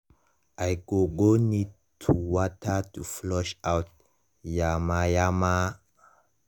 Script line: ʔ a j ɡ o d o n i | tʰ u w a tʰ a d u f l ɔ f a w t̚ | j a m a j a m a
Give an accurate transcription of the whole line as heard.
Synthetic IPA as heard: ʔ a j ɡ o ɡ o n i | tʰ u w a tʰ a t u f l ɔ ʃ a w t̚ | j a m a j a m a